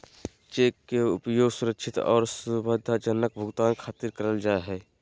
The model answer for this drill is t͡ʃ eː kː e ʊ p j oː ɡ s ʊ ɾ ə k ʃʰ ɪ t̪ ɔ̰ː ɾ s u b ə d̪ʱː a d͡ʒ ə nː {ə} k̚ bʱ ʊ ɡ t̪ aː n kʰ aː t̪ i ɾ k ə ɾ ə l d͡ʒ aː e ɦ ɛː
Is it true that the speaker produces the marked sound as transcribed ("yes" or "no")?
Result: yes